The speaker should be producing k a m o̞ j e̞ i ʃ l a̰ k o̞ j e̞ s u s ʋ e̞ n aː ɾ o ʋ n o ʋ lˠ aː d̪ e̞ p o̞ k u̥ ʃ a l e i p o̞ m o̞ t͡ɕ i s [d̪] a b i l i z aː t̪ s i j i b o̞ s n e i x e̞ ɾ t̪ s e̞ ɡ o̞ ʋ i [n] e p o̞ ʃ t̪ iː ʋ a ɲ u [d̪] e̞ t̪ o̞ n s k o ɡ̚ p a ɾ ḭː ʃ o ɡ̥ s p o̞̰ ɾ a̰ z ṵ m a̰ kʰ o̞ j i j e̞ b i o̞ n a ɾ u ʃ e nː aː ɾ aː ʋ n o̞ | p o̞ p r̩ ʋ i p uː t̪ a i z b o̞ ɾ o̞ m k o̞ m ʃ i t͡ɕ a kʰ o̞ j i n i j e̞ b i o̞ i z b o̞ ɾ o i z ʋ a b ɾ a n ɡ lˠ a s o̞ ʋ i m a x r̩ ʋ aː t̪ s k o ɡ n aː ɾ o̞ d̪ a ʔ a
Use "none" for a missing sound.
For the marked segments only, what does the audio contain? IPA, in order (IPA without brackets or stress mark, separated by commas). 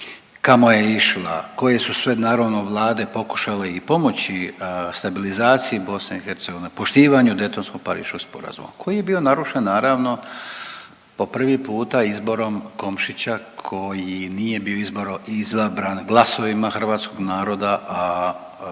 t̪, n, d̪